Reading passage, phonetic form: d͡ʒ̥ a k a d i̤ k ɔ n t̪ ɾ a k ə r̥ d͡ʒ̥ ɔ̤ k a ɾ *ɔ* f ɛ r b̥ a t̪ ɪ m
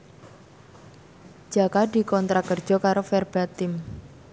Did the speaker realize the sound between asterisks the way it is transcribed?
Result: no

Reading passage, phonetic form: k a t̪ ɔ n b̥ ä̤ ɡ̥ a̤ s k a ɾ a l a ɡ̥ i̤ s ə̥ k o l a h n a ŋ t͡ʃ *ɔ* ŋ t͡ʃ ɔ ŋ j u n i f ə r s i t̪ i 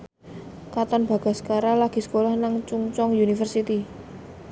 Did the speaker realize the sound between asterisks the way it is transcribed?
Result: no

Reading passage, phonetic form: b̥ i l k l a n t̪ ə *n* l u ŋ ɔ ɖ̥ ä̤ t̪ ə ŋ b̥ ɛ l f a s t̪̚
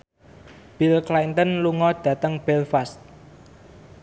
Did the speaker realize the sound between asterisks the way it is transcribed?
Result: yes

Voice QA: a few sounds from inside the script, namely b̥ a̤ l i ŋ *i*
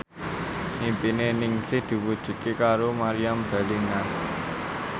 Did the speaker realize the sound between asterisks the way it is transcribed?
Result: no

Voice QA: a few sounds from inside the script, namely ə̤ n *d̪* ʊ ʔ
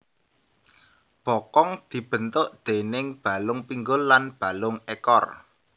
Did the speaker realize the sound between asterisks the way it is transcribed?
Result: no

